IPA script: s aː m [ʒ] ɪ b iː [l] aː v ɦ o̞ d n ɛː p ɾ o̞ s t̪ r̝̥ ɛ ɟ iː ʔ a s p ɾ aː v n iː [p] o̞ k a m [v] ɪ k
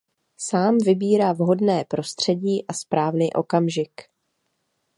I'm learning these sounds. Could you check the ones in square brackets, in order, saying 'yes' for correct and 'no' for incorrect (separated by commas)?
no, no, no, no